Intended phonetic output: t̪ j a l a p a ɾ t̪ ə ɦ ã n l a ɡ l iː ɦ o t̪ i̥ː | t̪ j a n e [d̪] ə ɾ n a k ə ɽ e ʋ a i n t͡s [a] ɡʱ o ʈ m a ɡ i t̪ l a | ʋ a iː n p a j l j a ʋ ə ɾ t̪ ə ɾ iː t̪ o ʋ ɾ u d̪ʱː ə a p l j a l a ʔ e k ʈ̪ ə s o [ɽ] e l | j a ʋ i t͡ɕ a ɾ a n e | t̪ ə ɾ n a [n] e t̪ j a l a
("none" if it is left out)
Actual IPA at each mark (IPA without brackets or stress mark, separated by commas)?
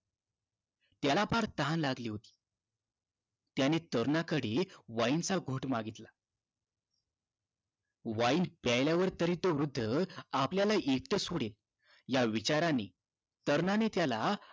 t̪, a, ɽ, n